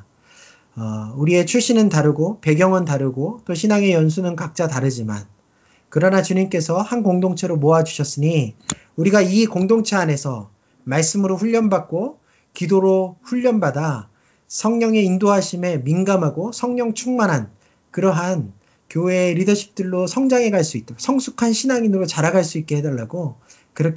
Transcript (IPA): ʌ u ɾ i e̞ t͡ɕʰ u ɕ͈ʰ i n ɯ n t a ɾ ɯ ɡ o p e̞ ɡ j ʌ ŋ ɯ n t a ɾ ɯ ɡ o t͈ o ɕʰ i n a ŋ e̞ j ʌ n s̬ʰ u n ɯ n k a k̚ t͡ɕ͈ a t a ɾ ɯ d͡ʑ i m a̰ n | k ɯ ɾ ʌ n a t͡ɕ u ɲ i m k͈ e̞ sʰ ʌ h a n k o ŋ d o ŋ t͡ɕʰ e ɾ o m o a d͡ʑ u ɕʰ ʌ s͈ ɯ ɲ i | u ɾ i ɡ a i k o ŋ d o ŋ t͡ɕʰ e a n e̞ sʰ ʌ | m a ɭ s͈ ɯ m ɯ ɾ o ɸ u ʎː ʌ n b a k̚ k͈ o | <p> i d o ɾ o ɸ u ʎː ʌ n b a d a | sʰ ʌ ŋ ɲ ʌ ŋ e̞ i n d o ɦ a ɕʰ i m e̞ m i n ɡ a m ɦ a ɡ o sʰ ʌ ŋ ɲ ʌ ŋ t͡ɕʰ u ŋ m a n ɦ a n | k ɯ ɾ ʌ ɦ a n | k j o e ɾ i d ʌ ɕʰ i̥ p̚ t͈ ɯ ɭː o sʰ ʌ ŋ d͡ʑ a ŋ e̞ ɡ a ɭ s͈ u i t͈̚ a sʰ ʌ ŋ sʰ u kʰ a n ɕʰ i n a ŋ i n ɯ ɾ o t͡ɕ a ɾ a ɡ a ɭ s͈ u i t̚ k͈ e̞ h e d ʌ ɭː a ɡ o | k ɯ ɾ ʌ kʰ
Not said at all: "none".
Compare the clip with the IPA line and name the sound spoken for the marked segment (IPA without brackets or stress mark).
k